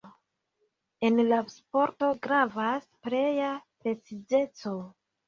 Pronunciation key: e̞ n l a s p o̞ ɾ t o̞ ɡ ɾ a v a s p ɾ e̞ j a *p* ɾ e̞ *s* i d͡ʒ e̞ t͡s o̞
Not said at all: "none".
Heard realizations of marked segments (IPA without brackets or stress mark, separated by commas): p, t͡s